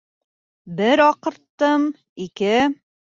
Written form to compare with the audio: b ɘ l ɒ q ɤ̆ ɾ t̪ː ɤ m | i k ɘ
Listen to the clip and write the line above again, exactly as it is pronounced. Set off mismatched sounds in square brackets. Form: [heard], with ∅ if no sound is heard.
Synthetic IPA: b ɘ [ɾ] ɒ q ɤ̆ ɾ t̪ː ɤ m | i k ɘ